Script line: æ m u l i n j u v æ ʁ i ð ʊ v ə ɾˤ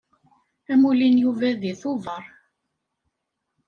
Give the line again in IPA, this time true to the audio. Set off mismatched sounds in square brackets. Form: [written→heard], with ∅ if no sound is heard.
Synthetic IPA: æ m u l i n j u v æ [ʁ→ð] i [ð→θ] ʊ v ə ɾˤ